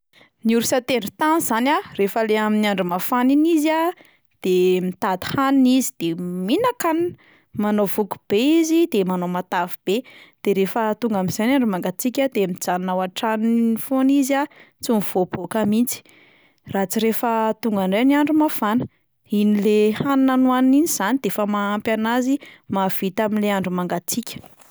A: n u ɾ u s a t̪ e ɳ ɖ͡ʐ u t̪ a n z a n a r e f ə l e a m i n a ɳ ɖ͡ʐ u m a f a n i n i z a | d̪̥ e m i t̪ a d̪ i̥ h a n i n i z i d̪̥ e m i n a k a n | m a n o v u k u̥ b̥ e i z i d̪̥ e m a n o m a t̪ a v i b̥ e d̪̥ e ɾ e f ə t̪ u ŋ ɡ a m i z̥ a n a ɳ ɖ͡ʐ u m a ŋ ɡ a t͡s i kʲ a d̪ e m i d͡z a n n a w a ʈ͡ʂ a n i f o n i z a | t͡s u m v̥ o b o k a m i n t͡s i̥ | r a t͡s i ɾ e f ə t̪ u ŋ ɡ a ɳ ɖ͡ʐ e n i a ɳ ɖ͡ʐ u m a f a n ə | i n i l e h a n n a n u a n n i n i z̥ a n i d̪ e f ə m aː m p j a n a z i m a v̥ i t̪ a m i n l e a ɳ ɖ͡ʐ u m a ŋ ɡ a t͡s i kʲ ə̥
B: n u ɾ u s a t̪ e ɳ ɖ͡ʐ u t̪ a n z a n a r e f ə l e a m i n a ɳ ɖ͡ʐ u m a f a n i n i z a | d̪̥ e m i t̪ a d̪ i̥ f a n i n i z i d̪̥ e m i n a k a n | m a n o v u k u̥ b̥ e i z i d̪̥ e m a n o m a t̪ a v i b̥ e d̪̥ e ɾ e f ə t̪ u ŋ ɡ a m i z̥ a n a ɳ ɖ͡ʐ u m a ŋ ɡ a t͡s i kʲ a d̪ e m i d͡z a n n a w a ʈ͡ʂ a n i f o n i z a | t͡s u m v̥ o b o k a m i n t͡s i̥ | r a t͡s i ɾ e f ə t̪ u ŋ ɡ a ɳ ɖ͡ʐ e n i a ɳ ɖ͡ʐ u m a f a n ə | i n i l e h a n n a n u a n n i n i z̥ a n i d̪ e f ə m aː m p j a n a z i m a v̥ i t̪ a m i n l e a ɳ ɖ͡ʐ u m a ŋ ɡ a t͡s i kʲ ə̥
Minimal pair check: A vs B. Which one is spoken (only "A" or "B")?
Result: A